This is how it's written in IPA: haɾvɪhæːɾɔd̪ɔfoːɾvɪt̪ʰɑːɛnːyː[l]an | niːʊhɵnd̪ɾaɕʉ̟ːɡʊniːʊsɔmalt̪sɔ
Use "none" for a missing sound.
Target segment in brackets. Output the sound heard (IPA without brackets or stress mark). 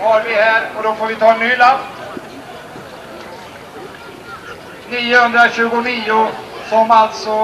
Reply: l